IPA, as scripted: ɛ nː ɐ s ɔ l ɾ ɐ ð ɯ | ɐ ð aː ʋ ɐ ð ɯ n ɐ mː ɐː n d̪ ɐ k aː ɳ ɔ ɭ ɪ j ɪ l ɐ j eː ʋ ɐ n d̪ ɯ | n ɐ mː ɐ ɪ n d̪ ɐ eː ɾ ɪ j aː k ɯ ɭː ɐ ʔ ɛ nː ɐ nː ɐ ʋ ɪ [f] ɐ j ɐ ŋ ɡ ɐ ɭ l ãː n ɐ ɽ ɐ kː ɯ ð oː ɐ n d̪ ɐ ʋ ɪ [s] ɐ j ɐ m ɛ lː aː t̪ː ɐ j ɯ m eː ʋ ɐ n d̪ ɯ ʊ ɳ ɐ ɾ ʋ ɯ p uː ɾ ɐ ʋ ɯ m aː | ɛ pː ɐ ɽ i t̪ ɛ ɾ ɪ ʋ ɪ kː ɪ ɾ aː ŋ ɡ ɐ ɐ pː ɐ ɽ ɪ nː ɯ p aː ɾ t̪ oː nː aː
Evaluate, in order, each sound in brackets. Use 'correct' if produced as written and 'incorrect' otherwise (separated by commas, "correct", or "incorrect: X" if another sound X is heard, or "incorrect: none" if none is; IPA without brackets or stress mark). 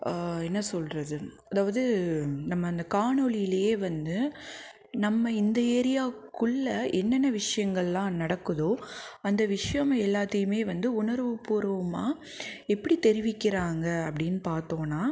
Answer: incorrect: ʂ, incorrect: ʂ